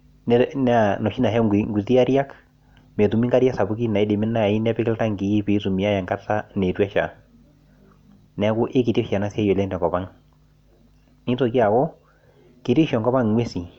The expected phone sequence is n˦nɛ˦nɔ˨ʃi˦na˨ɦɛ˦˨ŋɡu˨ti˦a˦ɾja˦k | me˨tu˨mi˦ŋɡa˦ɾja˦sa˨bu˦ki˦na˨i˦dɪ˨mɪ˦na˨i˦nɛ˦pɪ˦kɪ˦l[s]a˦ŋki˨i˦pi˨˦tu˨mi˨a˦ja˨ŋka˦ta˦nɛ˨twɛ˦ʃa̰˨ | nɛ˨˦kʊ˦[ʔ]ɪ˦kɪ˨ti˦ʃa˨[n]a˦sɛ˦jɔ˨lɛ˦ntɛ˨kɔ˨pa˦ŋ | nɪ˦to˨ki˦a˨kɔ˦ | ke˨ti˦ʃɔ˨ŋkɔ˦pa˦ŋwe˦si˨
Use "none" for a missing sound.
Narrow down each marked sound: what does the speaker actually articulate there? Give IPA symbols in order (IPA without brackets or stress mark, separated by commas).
t, ʔ, n